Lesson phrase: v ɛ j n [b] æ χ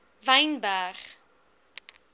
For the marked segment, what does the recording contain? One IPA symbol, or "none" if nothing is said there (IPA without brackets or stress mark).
b